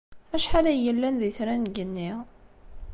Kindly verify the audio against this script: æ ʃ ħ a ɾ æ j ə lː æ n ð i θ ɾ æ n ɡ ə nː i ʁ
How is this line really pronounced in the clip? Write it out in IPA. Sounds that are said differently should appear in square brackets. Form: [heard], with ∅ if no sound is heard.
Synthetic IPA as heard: æ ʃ ħ a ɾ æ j ə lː æ n ð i θ ɾ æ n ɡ ə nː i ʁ

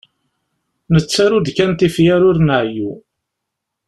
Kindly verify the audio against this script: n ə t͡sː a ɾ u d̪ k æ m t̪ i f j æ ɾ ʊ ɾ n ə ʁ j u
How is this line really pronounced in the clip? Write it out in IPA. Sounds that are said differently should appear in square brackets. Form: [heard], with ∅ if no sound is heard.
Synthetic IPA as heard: n ə t͡sː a ɾ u d̪ k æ [n] t̪ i f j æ ɾ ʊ ɾ n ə [ʕ] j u

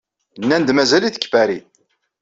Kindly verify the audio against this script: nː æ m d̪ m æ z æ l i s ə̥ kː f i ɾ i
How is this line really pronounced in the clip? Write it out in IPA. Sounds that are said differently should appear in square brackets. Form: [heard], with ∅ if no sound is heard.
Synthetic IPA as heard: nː æ [n] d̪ m æ z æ l i [θ] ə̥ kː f [æ] ɾ i

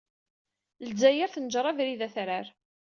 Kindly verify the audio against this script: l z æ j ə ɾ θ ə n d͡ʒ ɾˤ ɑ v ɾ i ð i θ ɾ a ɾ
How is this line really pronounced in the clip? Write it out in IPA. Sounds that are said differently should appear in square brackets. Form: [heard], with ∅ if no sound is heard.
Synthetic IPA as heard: l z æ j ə ɾ θ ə n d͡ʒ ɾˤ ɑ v ɾ i ð [æ] θ ɾ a ɾ

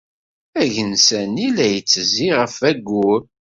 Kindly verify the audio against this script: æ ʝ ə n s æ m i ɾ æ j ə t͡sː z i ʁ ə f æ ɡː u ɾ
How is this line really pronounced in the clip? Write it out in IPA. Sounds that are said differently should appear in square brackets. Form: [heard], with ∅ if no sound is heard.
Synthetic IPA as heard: æ ʝ ə n s æ [n] i [l] æ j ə t͡sː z i ʁ ə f æ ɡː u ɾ

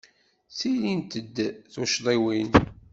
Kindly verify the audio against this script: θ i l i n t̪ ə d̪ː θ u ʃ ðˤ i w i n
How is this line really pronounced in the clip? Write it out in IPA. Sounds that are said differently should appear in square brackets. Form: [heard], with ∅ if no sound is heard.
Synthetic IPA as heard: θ i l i n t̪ ə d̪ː θ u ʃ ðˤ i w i n

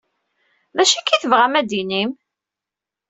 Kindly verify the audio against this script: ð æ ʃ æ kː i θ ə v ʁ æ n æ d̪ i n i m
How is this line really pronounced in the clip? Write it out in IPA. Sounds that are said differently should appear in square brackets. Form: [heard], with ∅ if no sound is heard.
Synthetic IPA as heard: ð æ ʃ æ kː i θ ə v ʁ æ [m] æ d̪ i n i m

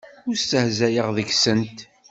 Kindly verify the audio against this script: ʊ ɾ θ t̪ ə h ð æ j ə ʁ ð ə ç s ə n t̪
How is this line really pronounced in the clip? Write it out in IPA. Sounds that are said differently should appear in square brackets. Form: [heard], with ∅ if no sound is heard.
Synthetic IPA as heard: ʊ ɾ [s] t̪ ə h [z] æ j ə ʁ ð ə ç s ə n t̪

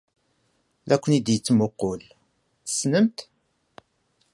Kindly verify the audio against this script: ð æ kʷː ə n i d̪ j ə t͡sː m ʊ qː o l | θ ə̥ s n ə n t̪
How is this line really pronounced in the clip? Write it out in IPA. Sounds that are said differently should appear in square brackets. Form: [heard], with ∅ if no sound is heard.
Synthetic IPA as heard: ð æ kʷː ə n i d̪ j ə t͡sː m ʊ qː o l | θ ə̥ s n ə [m] t̪

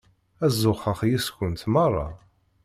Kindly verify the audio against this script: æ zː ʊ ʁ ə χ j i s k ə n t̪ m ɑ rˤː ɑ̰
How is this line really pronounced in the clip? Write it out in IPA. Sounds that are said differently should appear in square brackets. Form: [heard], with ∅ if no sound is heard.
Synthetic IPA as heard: æ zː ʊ [χ] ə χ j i s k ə n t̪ m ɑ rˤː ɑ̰

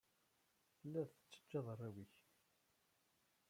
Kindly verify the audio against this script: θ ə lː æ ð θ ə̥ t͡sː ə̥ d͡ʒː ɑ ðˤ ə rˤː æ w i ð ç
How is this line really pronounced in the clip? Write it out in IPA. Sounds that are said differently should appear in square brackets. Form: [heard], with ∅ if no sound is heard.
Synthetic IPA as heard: θ ə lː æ ð θ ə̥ t͡sː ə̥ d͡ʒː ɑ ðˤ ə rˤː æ w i [∅] ç

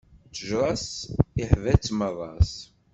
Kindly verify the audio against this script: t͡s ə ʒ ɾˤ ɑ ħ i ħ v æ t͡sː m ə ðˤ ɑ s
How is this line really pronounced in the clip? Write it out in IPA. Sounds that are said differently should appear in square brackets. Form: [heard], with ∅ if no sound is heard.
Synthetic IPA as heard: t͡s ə ʒ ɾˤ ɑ [s] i ħ v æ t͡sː m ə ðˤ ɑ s

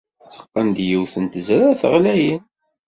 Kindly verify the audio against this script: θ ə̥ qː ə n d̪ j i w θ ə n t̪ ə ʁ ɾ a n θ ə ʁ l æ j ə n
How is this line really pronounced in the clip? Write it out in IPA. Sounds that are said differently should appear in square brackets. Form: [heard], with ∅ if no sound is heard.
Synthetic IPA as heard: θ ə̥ qː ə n d̪ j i w θ ə n t̪ ə [z] ɾ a [∅] θ ə ʁ l æ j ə n

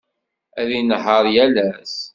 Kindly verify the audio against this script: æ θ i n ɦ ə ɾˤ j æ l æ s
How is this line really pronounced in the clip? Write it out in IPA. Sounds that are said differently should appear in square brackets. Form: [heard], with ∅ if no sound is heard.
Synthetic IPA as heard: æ [ð] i n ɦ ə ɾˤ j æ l æ s

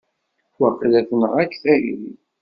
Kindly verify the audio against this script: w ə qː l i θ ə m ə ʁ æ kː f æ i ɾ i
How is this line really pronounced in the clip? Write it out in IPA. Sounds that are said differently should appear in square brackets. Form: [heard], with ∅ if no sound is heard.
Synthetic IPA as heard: w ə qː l [æ] θ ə [n] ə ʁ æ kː [θ] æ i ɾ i

